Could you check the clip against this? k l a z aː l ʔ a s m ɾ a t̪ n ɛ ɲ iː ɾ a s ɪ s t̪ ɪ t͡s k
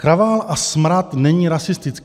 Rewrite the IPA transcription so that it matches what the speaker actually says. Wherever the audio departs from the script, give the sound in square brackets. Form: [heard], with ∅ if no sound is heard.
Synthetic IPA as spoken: k [ɾ] a [v] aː l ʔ a s m ɾ a t̪ n ɛ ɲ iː ɾ a s ɪ s t̪ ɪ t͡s k